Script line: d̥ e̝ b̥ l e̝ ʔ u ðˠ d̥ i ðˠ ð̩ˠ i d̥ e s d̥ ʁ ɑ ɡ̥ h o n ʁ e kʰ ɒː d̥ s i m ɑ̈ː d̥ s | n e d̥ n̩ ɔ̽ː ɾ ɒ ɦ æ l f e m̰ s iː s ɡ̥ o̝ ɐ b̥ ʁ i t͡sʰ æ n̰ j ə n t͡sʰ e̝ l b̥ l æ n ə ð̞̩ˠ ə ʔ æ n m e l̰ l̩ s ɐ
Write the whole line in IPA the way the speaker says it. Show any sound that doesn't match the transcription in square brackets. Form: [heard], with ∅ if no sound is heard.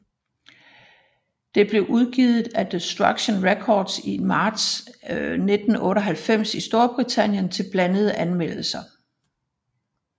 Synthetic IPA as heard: d̥ e̝ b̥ l e̝ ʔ u ðˠ [ɡ̥] i ðˠ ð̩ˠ [æ] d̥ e s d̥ ʁ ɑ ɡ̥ [ɕ] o n ʁ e kʰ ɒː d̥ s i m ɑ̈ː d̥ s | n e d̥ n̩ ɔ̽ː ɾ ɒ ɦ æ l f e m̰ s [i] s [d̥] o̝ ɐ b̥ ʁ i t͡sʰ æ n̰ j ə n t͡sʰ e̝ l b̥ l æ n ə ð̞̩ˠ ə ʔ æ n m e l̰ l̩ s ɐ